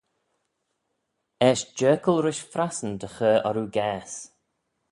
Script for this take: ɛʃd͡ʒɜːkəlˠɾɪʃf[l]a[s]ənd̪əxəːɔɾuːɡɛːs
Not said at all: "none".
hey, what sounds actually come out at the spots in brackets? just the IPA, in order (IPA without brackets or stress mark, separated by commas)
ɾ, s